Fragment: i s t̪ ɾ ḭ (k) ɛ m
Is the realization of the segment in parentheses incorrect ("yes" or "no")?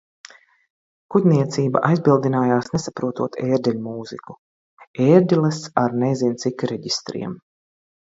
yes